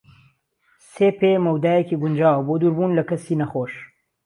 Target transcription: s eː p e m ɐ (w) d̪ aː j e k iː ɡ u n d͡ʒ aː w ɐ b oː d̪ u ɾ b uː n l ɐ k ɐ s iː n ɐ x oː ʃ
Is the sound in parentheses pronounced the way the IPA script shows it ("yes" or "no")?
yes